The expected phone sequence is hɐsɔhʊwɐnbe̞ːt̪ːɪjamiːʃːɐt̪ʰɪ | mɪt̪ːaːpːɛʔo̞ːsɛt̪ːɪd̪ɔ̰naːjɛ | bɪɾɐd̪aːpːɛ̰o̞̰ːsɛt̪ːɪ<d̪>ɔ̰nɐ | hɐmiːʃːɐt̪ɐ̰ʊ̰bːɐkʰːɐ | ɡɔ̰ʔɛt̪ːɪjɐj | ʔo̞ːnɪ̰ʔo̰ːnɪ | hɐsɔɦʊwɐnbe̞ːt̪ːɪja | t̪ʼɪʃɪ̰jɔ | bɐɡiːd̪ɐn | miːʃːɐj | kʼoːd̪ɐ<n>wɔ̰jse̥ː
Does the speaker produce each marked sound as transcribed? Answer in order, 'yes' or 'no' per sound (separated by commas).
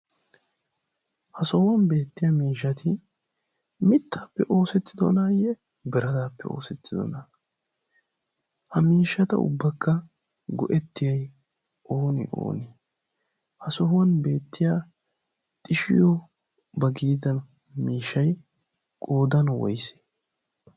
yes, yes